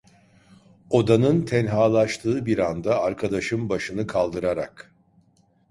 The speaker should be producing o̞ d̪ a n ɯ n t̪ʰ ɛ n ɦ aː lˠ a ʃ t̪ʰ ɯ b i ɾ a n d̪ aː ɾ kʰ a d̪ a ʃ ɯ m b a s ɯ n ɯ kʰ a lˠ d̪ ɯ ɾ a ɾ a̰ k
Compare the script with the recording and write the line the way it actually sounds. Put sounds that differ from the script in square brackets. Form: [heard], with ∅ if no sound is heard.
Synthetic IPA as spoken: o̞ d̪ a n ɯ n t̪ʰ ɛ n ɦ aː lˠ a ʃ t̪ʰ [ɯː] b i ɾ a n d̪ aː ɾ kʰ a d̪ a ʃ ɯ m b a [ʃ] ɯ n ɯ kʰ a lˠ d̪ ɯ ɾ a ɾ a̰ k